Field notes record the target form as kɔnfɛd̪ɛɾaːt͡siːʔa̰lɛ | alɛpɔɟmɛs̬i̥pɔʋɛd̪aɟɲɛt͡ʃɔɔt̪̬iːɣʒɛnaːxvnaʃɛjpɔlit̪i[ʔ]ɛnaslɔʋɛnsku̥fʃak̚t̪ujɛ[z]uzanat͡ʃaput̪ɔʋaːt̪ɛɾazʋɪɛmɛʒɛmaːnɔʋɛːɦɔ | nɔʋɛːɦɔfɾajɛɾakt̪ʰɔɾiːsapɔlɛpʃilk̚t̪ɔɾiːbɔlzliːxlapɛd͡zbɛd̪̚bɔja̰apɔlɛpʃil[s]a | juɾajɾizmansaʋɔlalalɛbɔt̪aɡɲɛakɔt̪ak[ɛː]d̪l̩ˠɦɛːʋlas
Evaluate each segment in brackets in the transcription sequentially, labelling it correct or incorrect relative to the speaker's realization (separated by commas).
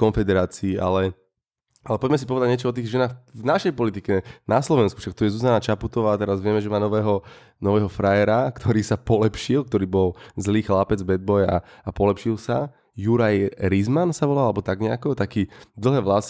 incorrect, correct, correct, incorrect